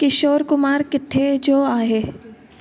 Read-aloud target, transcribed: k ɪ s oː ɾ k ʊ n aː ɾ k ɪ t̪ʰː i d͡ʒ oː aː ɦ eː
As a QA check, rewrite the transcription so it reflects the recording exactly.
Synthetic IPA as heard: k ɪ ʃ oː ɾ k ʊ m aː ɾ k ɪ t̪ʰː e d͡ʒ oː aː ɦ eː

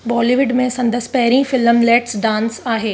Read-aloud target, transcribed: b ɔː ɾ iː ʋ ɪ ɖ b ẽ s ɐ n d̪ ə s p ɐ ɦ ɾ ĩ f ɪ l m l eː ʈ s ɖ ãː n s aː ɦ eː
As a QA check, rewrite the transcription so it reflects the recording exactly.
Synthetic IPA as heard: b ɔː l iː ʋ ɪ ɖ m ẽ s ɐ̃ n d̪ ə s p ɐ ɦ ɾ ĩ f ɪ l m l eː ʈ s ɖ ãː n s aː ɦ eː

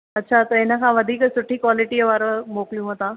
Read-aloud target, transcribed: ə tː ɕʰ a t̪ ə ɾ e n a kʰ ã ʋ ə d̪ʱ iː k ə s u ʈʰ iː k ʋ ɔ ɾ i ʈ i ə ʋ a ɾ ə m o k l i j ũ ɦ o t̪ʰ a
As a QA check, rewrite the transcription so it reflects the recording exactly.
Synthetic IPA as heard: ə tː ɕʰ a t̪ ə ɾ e n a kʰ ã ʋ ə d̪ʱ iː k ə s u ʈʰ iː k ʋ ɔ l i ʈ i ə ʋ a ɾ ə m o k l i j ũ ɦ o t̪ a

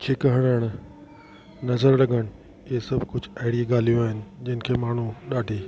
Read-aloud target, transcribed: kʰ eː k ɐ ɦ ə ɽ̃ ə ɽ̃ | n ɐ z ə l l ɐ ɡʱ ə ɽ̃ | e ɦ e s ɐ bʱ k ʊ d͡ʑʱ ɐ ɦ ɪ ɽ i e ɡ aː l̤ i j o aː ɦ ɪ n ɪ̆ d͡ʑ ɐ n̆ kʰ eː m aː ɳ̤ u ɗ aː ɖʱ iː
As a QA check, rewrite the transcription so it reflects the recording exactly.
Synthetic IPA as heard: kʰ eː k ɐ ɦ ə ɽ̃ ə ɽ̃ | n ɐ z ə ɾ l ɐ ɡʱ ə ɽ̃ | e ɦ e s ɐ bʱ k ʊ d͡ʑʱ ɐ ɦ ɪ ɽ i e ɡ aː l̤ i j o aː ɦ ɪ n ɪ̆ d͡ʑ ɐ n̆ kʰ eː m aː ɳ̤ u ɗ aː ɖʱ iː

